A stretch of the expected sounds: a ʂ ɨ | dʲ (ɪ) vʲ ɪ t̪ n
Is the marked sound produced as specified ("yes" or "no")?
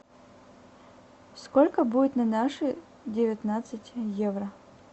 yes